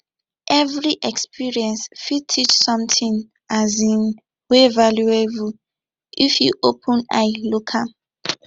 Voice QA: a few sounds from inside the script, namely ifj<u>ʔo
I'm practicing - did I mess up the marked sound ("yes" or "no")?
no